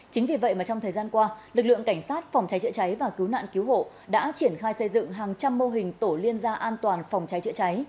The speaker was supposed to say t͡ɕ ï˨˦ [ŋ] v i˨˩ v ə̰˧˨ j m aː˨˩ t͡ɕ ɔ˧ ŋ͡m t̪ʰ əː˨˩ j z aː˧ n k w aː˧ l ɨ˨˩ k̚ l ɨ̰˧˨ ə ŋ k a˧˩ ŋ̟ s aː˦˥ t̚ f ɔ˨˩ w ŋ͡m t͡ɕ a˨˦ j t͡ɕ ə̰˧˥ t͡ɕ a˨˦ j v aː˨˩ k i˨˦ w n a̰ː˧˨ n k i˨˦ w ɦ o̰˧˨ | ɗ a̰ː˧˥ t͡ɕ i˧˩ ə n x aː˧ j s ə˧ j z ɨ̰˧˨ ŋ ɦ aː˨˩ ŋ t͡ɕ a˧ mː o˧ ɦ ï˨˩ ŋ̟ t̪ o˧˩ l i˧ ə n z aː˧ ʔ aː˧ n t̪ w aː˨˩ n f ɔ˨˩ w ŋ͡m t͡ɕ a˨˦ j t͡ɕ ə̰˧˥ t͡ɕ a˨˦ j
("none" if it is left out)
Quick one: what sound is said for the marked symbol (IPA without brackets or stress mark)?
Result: ŋ